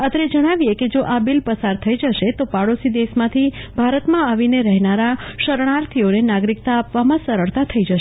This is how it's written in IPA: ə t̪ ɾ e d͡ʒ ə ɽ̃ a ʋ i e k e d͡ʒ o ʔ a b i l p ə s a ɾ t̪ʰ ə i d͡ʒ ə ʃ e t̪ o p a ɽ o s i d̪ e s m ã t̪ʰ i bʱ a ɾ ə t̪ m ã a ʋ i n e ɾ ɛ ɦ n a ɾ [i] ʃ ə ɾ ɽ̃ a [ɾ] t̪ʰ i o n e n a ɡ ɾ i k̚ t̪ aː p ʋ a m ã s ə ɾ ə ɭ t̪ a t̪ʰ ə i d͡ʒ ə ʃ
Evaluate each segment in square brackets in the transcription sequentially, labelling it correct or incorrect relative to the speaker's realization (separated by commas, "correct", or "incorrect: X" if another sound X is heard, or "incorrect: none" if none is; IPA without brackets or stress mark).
incorrect: a, correct